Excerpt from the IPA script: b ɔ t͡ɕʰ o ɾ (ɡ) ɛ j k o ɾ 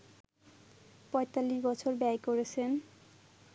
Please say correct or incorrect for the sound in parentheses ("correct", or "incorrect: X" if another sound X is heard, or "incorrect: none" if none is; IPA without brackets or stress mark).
incorrect: b